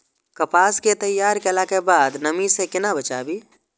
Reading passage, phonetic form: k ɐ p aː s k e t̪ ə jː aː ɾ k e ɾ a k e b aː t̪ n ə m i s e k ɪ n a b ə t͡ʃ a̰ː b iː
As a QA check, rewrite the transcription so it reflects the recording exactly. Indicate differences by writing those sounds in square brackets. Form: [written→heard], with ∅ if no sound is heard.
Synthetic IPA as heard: k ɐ p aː s k e t̪ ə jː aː ɾ k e [ɾ→l] a k e b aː [t̪→d̪] n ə m i s e k ɪ n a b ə t͡ʃ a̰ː b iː